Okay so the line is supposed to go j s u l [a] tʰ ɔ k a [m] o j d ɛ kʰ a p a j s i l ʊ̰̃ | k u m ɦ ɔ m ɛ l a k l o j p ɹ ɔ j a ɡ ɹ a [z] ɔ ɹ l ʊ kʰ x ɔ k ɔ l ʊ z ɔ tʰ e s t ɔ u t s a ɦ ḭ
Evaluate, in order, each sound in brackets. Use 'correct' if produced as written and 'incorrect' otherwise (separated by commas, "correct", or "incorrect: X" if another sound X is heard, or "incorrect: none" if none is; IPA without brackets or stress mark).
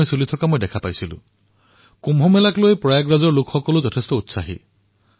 incorrect: i, correct, correct